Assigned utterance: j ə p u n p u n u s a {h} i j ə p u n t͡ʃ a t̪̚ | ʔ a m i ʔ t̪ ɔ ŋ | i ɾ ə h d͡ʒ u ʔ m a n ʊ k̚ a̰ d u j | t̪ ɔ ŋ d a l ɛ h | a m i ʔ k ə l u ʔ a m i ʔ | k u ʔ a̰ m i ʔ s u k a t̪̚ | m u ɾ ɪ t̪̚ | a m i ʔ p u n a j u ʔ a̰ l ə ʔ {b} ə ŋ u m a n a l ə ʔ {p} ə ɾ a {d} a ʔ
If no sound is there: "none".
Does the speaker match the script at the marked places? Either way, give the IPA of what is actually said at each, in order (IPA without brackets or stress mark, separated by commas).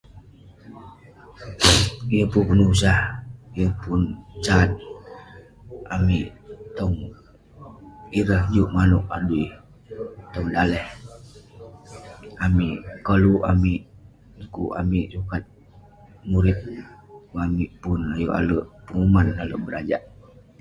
h, p, b, d͡ʒ